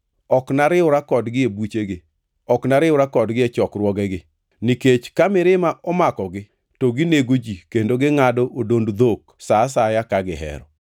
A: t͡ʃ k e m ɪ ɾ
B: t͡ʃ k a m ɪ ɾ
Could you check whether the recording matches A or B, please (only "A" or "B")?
B